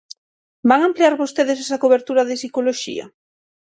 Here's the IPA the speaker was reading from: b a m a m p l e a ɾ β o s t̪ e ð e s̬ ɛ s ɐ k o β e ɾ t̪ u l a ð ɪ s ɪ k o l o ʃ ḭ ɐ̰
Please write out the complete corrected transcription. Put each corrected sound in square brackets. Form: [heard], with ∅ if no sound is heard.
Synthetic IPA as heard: b a [ŋ] a m p l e a ɾ β o s t̪ e ð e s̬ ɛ s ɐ k o β e ɾ t̪ u [ɾ] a ð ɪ s [i] k o l o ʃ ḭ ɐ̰